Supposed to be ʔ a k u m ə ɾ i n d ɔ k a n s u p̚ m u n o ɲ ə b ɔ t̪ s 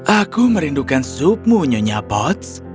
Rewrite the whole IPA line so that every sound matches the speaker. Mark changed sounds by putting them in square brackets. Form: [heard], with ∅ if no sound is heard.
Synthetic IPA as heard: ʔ a k u m ə ɾ i n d [u] k a n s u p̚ m u [ɲ] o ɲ [a] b ɔ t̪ s